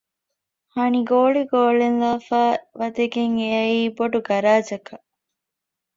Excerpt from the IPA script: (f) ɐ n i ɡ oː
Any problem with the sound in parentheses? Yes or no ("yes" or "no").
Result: yes